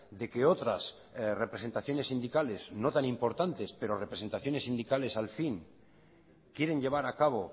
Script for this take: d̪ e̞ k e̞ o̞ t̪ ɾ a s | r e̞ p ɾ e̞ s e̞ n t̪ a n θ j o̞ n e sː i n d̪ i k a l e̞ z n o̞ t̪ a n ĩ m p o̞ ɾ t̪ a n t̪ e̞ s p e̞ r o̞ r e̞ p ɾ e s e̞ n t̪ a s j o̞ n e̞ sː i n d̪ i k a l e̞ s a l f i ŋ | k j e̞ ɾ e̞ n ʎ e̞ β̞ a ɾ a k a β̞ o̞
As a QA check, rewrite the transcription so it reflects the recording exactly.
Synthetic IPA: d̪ e̞ k e̞ o̞ t̪ ɾ a s | r e̞ p ɾ e̞ s e̞ n t̪ a θ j o̞ n e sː i n d̪ i k a l e̞ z n o̞ t̪ a n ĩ m p o̞ ɾ t̪ a n t̪ e̞ s p e̞ ɾ o̞ r e̞ p ɾ e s e̞ n t̪ a θ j o̞ n e̞ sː i n d̪ i k a l e̞ s a l f i ŋ | k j e̞ ɾ e̞ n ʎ e̞ β̞ a ɾ a k a β̞ o̞